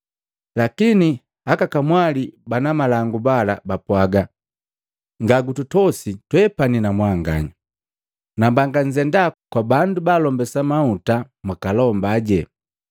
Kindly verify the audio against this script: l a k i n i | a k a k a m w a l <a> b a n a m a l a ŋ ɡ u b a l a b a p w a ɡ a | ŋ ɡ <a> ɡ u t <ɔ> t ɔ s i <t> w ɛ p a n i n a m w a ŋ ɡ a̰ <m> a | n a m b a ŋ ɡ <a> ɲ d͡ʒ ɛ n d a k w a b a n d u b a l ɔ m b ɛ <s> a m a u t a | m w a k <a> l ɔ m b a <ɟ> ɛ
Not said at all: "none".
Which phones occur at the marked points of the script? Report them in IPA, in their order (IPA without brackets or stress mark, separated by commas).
i, a, u, t, ɲ, a, s, a, ɟ